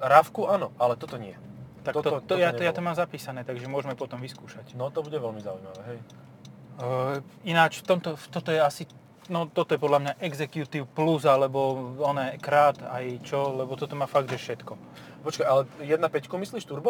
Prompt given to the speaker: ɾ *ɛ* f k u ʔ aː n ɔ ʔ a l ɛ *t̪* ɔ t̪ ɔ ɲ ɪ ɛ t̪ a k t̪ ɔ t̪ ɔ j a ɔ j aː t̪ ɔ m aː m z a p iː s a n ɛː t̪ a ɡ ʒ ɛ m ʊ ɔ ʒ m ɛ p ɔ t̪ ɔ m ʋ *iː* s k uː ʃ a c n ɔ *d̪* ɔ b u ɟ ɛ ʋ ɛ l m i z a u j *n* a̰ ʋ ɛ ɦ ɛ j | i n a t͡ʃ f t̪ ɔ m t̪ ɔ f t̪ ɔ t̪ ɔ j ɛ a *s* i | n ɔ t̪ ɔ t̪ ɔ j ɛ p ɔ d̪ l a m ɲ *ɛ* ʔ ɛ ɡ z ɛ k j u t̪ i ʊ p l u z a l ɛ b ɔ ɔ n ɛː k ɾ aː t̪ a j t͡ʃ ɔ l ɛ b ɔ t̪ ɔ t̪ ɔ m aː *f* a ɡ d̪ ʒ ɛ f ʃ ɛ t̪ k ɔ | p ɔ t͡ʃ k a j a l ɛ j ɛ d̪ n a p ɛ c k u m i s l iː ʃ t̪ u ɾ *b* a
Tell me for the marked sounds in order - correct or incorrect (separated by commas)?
incorrect, correct, incorrect, incorrect, incorrect, correct, incorrect, correct, correct